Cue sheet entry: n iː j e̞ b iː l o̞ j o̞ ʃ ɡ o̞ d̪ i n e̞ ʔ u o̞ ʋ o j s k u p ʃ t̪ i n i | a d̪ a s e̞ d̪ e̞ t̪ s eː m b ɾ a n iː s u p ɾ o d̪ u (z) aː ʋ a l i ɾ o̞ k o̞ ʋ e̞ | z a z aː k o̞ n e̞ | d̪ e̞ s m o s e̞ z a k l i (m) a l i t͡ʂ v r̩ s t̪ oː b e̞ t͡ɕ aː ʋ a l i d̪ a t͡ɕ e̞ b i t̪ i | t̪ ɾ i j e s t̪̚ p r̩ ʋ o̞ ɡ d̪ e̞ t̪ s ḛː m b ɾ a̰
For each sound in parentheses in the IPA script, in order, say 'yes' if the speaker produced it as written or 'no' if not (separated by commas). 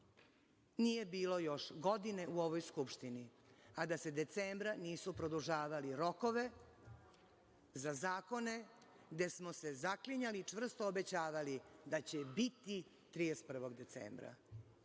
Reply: no, no